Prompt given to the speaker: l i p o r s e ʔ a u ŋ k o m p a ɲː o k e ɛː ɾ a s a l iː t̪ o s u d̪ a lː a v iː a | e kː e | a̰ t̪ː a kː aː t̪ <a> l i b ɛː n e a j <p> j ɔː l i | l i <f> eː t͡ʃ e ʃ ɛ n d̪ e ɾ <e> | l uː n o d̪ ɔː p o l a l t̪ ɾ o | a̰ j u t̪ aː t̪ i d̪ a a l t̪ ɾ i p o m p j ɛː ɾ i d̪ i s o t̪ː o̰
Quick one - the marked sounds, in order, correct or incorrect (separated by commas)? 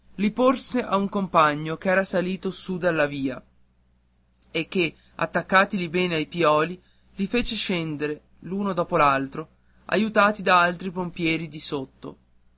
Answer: incorrect, correct, correct, correct